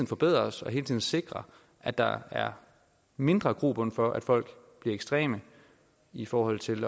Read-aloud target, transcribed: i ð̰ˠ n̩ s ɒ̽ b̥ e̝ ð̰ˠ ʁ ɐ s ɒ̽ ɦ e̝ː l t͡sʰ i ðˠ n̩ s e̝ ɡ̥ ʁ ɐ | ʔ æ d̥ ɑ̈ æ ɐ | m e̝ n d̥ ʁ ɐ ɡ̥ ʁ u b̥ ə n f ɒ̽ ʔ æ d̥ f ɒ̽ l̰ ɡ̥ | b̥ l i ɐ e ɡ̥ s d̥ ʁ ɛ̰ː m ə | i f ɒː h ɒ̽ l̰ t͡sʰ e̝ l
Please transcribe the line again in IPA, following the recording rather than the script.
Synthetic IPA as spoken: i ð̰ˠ n̩ f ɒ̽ b̥ e̝ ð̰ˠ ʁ ɐ s ɒ̽ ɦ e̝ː l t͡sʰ i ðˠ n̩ s e̝ ɡ̥ ʁ ɐ | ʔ æ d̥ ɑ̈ æ ɐ | m e̝ n d̥ ʁ ɐ ɡ̥ ʁ u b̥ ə n f ɒ̽ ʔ æ d̥ f ɒ̽ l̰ ɡ̥ | b̥ l i ɐ e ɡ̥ s d̥ ʁ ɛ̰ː m ə | i f ɒː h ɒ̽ l̰ t͡sʰ e̝ l